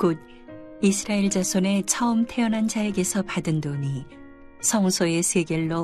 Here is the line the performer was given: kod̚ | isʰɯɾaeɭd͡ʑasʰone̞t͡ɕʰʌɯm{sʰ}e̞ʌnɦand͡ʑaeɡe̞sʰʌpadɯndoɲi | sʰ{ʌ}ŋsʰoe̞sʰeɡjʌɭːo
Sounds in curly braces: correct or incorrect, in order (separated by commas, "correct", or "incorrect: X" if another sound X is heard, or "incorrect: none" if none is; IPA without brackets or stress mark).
incorrect: tʰ, correct